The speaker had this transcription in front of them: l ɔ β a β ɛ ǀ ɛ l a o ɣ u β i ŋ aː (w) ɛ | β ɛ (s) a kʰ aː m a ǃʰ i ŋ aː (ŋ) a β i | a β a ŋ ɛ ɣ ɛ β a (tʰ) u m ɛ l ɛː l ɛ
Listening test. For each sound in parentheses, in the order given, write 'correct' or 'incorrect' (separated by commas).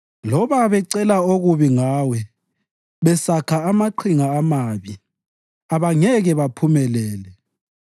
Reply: correct, correct, incorrect, incorrect